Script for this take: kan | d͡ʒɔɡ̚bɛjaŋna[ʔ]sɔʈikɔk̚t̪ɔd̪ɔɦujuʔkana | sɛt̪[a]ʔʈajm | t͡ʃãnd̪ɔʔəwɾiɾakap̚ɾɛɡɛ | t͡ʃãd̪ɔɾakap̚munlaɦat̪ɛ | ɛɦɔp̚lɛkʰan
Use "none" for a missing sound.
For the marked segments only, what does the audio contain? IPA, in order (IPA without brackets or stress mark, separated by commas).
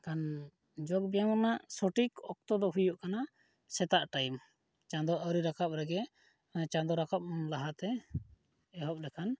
ʔ, a